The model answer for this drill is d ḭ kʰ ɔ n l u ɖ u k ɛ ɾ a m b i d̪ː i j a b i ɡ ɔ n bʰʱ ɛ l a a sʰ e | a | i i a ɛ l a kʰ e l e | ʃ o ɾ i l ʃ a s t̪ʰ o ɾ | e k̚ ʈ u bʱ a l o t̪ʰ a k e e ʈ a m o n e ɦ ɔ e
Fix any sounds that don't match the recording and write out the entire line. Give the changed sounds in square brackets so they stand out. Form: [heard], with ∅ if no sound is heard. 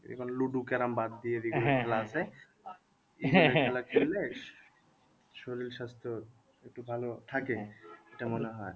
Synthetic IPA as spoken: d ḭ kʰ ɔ n l u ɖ u k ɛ ɾ a m b [a] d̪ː i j [e] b i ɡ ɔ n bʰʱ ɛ l a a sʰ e | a | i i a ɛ l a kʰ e l e | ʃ o ɾ i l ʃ a s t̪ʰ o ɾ | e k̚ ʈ u bʱ a l o t̪ʰ a k e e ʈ a m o n e ɦ ɔ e

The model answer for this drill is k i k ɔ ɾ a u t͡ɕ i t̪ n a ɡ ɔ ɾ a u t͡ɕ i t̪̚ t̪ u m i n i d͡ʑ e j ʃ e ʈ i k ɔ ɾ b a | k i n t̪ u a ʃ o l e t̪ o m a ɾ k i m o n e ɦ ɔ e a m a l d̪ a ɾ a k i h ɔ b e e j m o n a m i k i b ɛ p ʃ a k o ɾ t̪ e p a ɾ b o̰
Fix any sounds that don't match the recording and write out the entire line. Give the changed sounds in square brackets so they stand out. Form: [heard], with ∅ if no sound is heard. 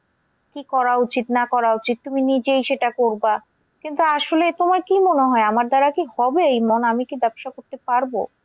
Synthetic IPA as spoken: k i k ɔ ɾ a u t͡ɕ i t̪ n a [k] ɔ ɾ a u t͡ɕ i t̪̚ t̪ u m i n i d͡ʑ e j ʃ e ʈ [a] k [o] ɾ b a | k i n t̪ u a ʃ o l e t̪ o m a ɾ k i m o n e ɦ ɔ e a m a [ɾ] d̪ a ɾ a k i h ɔ b e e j m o n a m i k i b ɛ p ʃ a k o ɾ t̪ e p a ɾ b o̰

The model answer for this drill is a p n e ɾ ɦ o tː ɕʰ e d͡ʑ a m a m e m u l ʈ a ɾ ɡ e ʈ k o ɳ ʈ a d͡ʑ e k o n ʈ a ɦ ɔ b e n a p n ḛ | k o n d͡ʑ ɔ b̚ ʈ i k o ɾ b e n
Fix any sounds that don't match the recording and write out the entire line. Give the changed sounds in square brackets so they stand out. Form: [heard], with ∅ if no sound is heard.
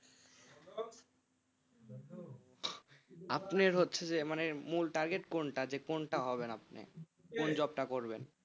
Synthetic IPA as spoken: a p n e ɾ ɦ o tː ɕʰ e d͡ʑ [e] m a [n] e m u l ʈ a ɾ ɡ e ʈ k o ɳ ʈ a d͡ʑ e k o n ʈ a ɦ ɔ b e n a p n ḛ | k o n d͡ʑ ɔ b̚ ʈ [a] k o ɾ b e n

